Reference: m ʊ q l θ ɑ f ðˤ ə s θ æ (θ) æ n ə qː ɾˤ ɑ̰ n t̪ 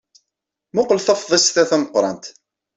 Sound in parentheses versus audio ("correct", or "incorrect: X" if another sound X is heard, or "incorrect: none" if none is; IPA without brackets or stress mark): correct